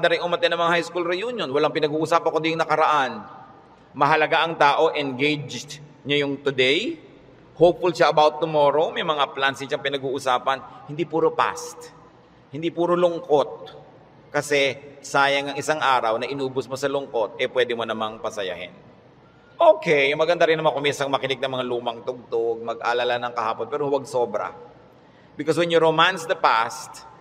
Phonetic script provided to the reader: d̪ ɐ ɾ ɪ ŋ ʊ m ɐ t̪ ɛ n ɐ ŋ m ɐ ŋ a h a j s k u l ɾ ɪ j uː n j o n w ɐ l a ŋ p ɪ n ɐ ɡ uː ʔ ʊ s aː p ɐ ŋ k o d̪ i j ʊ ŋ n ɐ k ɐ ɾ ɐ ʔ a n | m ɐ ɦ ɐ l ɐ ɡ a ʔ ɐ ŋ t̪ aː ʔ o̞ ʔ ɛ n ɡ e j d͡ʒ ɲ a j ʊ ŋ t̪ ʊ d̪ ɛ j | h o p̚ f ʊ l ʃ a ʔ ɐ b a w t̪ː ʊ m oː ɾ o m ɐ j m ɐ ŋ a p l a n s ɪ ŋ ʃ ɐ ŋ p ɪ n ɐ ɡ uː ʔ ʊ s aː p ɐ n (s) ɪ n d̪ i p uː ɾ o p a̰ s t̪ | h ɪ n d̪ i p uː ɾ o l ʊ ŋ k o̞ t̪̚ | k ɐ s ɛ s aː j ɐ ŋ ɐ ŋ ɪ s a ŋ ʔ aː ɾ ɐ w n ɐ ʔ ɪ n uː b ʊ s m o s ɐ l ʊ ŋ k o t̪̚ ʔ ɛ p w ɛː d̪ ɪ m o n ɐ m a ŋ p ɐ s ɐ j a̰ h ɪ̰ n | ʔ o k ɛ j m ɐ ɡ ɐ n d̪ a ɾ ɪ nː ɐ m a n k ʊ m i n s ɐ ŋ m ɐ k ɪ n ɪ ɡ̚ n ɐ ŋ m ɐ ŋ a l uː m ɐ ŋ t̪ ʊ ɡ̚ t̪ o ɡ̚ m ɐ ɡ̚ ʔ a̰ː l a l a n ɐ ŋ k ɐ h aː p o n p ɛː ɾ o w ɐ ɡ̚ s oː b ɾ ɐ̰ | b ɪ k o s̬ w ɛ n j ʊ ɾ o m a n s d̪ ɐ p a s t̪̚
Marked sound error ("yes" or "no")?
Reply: yes